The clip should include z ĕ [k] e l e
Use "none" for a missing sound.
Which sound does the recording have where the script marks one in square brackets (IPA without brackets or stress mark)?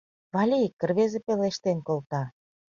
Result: p